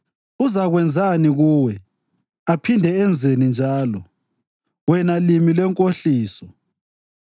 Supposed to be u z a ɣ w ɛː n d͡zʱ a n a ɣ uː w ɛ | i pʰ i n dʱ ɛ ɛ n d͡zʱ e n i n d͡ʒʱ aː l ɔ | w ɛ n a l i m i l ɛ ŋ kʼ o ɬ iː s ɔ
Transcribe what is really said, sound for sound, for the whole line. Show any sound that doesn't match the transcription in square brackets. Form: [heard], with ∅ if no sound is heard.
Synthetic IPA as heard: u z a ɣ w [ɛ] n d͡zʱ a n [i] ɣ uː w ɛ | [a] pʰ i n dʱ ɛ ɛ n d͡zʱ e n i n d͡ʒʱ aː l ɔ | w ɛ n a l i m i l ɛ ŋ kʼ o ɬ iː s ɔ